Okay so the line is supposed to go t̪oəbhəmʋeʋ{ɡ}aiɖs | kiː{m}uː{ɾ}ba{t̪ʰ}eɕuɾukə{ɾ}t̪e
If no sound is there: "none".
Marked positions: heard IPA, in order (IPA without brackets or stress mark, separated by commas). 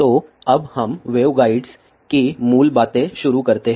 ɡ, m, l, t̪, ɾ